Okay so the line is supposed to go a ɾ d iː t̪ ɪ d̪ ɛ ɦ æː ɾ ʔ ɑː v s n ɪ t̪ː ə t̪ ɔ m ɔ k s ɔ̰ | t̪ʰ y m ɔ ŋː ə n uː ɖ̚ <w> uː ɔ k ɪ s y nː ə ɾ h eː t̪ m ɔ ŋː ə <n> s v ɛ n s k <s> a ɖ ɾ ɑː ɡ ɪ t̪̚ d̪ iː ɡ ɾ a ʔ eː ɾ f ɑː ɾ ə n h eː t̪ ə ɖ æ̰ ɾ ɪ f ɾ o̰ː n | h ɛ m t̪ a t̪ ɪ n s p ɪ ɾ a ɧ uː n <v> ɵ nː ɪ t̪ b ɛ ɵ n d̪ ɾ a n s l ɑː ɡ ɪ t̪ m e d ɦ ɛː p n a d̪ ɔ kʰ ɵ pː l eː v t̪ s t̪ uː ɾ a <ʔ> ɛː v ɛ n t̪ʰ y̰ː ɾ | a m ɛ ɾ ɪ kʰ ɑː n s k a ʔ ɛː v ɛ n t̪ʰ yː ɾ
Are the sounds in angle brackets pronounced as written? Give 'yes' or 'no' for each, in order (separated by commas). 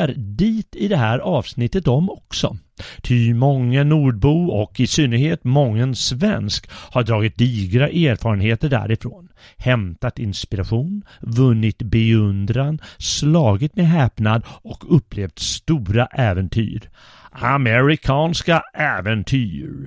no, yes, no, yes, yes